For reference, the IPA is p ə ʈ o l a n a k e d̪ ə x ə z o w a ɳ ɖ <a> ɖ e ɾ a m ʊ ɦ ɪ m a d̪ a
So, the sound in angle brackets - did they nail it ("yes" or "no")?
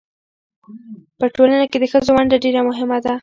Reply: yes